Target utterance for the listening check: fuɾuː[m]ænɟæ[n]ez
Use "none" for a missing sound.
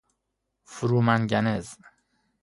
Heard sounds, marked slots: m, n

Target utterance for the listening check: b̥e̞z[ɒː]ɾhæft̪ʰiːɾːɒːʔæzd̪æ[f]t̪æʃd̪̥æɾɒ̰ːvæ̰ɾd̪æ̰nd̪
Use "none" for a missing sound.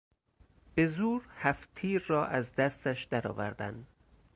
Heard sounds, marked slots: uː, s

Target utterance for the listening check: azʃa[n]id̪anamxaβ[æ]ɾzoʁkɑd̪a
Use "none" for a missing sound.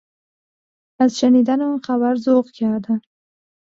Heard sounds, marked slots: n, a

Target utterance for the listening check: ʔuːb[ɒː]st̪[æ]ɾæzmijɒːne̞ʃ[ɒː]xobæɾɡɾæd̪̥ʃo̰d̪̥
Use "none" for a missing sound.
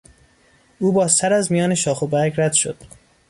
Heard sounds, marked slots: ɒː, æ, ɒː

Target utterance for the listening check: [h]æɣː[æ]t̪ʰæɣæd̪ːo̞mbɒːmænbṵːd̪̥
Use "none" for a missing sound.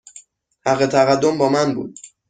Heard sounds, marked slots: h, e

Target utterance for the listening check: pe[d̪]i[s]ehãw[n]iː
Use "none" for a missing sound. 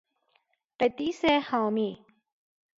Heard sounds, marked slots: t̪, s, m

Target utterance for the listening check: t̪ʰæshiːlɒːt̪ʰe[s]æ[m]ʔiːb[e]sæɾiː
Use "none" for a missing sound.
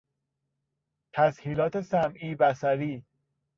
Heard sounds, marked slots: s, m, æ

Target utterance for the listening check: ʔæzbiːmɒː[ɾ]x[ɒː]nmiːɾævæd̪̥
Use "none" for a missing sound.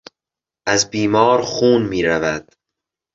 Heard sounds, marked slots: ɾ, uː

